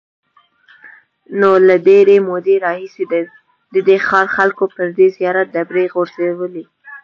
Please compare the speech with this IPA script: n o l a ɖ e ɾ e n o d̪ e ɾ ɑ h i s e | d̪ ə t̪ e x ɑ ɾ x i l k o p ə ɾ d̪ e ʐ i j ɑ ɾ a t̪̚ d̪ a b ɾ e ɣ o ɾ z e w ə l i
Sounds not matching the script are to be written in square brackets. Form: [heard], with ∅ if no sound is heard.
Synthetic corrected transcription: n o l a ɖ e ɾ e [m] o d̪ e ɾ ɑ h i s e | d̪ ə [d̪] e x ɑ ɾ x [a] l k o p ə ɾ d̪ e [z] i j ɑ ɾ a t̪̚ d̪ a b ɾ e ɣ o ɾ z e w ə l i